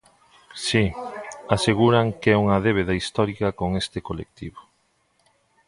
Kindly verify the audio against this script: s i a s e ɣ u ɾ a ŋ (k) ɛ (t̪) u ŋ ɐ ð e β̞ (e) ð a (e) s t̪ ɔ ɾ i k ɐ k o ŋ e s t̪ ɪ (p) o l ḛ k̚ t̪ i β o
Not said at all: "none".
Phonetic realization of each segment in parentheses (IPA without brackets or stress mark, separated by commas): k, none, e, i, k